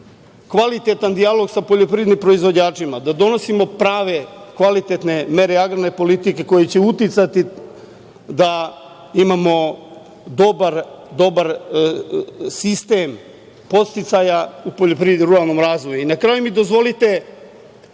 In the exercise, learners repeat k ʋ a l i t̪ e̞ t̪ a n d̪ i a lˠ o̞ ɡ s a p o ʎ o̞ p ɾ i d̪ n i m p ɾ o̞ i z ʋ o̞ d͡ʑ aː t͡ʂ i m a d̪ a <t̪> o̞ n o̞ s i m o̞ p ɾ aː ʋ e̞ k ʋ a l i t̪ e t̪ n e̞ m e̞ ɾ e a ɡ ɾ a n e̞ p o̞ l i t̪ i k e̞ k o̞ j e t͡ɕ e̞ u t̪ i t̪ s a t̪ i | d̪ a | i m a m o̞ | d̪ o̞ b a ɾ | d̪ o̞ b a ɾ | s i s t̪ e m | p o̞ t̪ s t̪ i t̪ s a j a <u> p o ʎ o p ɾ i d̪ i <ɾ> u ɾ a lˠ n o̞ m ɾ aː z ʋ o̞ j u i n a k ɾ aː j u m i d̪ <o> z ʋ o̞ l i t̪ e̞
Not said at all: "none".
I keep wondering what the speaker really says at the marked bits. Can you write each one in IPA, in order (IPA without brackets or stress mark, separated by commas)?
d̪, u, ɾ, o